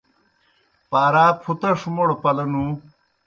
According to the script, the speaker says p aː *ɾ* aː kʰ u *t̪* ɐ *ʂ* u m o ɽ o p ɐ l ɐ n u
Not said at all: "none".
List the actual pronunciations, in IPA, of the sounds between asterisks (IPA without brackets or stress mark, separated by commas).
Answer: ɾ, t̪, ʂ